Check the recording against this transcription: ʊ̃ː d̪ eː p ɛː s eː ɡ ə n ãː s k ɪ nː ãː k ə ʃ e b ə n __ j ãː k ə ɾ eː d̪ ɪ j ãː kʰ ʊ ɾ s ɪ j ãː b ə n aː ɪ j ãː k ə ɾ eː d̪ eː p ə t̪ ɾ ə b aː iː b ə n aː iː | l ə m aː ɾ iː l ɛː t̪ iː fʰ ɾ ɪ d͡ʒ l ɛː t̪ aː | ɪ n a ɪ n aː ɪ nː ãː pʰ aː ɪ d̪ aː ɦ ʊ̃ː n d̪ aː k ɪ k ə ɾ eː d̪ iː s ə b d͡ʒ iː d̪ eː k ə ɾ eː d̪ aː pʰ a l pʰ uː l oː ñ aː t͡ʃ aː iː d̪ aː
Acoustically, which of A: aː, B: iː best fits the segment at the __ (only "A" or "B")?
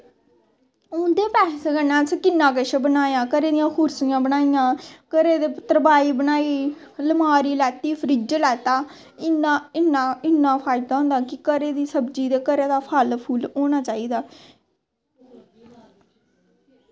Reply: A